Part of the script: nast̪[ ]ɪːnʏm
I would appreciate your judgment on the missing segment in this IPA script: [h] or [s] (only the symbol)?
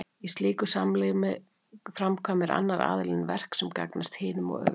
h